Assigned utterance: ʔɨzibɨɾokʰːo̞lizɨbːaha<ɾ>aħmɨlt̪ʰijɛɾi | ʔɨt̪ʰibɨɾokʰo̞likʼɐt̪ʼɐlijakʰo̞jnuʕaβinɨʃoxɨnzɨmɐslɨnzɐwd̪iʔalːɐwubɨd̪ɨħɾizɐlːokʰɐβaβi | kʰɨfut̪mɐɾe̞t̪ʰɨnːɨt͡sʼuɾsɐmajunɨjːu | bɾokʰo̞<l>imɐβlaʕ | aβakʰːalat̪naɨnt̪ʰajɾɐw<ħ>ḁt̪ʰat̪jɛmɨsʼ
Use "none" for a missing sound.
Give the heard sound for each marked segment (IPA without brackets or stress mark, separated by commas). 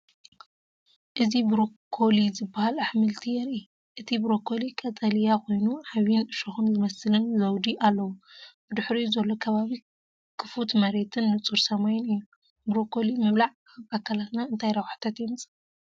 l, l, ħ